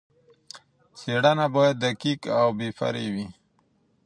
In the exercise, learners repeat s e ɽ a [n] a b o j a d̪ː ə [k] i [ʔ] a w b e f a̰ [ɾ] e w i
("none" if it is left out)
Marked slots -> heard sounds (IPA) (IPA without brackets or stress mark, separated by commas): n, k, k, ɾ